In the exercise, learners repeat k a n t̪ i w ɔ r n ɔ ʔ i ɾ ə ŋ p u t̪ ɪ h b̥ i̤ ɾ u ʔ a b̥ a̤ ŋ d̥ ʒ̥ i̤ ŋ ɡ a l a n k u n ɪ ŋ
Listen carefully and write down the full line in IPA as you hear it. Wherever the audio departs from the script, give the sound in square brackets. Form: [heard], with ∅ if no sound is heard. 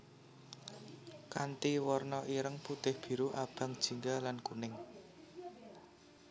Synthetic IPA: k a n t̪ i w ɔ r n ɔ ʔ i ɾ ə ŋ p u t̪ ɪ h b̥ i̤ ɾ u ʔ a b̥ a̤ ŋ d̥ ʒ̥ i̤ ŋ ɡ a l a n k u n ɪ ŋ